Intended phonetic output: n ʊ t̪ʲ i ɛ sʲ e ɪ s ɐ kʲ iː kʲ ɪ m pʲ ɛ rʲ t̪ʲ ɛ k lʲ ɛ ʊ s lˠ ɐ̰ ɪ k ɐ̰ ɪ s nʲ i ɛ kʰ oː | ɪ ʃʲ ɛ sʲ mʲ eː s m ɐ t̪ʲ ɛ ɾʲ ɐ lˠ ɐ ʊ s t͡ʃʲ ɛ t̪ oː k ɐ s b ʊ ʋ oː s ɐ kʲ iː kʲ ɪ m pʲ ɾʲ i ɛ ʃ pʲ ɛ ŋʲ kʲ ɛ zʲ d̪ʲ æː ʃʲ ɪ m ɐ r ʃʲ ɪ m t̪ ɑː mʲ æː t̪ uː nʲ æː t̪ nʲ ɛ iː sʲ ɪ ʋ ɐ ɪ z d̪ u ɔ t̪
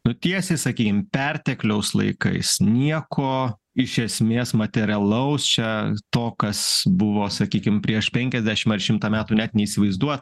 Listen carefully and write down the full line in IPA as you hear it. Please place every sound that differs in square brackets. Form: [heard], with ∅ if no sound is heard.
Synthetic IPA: n ʊ t̪ʲ i ɛ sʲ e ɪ s ɐ kʲ iː kʲ ɪ m pʲ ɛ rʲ t̪ʲ ɛ k lʲ ɛ ʊ s lˠ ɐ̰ ɪ k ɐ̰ ɪ s nʲ i ɛ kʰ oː | ɪ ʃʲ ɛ sʲ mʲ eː s m ɐ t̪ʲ ɛ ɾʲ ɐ lˠ ɐ ʊ s t͡ʃʲ ɛ t̪ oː k ɐ s b ʊ ʋ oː s ɐ kʲ iː kʲ ɪ m pʲ ɾʲ i ɛ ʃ pʲ ɛ ŋʲ kʲ ɛ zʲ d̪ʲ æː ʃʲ ɪ m ɐ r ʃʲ ɪ m t̪ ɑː mʲ æː t̪ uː nʲ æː t̪ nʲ ɛ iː sʲ ɪ ʋ ɐ ɪ z d̪ u ɔ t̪